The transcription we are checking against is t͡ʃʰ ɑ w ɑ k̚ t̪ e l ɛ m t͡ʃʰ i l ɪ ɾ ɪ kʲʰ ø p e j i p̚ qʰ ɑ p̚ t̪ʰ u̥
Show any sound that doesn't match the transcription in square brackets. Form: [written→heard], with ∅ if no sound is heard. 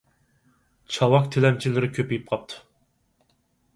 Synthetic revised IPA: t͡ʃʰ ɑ w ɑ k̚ [t̪→t̪ʰ] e l ɛ m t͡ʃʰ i l ɪ ɾ ɪ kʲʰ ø p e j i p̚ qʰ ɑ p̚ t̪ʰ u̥